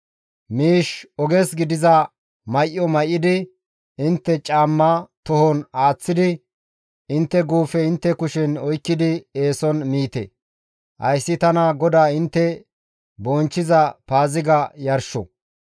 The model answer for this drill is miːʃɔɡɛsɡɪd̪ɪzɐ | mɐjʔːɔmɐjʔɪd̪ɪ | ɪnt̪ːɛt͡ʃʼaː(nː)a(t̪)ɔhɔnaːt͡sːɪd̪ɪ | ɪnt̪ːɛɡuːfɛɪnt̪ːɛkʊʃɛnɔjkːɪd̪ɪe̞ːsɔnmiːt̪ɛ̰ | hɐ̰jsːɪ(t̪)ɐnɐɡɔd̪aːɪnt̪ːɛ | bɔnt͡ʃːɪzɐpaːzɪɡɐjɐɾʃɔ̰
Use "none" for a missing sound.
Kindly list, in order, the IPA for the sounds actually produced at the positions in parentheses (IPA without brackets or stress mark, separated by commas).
mː, t̪, t̪